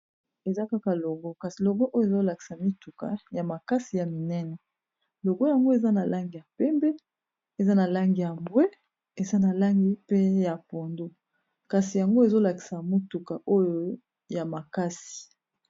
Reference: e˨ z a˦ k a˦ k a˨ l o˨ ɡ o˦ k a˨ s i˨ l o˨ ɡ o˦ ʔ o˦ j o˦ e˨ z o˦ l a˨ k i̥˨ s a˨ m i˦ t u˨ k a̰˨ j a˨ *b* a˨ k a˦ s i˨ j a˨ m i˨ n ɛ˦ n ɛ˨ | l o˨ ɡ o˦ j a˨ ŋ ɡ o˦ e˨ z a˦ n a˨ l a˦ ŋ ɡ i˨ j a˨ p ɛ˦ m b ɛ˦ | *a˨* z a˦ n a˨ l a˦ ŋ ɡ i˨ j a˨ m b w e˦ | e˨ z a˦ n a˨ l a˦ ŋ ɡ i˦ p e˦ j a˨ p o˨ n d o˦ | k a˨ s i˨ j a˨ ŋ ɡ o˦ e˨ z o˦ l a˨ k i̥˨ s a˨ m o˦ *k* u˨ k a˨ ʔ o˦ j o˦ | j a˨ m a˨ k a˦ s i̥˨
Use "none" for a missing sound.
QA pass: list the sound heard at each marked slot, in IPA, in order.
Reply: m, e˨, t

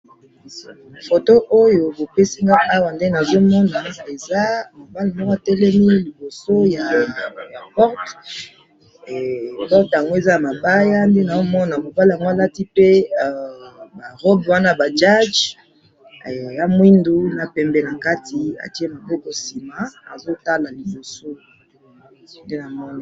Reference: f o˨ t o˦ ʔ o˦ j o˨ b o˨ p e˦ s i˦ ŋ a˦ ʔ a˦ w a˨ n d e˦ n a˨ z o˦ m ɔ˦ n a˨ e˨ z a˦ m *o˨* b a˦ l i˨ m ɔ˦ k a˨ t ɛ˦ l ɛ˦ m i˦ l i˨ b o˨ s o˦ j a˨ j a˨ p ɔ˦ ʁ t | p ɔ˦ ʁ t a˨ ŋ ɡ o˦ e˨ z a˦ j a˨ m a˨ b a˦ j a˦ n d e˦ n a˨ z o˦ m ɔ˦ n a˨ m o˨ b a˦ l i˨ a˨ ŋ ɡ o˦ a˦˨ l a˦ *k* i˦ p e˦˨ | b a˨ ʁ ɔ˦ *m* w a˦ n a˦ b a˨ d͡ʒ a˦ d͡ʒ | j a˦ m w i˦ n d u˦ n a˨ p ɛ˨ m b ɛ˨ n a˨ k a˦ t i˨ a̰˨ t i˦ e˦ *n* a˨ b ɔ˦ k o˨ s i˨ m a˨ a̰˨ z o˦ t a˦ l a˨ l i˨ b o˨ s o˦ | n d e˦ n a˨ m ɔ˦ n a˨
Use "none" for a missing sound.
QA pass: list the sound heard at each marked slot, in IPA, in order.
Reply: o˨, t, b, m

